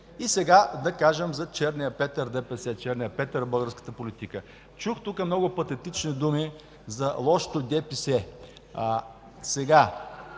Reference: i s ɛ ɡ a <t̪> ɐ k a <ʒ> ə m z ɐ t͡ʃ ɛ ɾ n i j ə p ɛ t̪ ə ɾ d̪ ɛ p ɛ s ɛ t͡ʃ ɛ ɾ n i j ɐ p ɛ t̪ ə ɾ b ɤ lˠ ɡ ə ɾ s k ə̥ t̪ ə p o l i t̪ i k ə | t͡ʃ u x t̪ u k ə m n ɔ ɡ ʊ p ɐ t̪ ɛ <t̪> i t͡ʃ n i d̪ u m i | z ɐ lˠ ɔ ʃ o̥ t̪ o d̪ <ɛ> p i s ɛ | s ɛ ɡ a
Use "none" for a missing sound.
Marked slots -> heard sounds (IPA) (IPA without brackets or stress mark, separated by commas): d̪, ʒ, t̪, ɛ